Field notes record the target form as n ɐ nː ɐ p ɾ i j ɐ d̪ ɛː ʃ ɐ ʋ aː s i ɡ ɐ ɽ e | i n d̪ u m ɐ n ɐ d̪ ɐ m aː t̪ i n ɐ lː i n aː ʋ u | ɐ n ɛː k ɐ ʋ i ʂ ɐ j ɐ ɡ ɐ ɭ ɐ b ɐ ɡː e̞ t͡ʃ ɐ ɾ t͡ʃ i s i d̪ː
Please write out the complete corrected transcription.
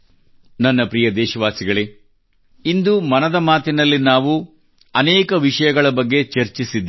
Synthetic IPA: n ɐ nː ɐ p ɾ i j ɐ d̪ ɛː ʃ ɐ ʋ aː s i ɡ ɐ ɭ e | i n d̪ u m ɐ n ɐ d̪ ɐ m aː t̪ i n ɐ lː i n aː ʋ u | ɐ n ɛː k ɐ ʋ i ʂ ɐ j ɐ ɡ ɐ ɭ ɐ b ɐ ɡː e̞ t͡ʃ ɐ ɾ t͡ʃ i s i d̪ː